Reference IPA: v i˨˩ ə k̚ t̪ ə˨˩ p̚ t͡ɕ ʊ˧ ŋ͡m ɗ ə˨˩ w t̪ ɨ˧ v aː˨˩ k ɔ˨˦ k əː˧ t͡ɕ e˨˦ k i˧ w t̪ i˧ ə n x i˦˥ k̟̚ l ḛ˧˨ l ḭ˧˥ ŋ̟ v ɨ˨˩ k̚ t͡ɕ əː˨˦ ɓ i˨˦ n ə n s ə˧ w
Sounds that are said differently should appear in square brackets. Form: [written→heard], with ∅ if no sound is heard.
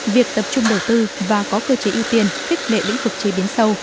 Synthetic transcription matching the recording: v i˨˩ ə k̚ t̪ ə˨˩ p̚ t͡ɕ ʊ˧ ŋ͡m ɗ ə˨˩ w t̪ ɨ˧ v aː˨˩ k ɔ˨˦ k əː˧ t͡ɕ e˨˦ [k→ʔ] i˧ w t̪ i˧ ə n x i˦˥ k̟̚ l ḛ˧˨ l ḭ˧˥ ŋ̟ v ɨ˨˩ k̚ t͡ɕ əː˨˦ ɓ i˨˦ [n→∅] ə n s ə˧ w